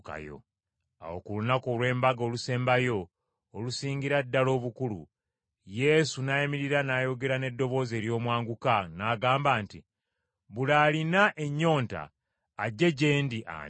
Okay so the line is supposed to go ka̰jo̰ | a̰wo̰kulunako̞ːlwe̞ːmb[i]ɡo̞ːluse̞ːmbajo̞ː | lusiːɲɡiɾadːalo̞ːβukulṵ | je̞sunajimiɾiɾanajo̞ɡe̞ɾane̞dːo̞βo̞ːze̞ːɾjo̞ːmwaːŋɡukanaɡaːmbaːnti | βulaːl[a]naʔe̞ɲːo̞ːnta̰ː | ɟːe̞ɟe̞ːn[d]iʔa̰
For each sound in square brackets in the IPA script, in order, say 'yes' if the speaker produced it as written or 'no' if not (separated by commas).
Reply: no, no, yes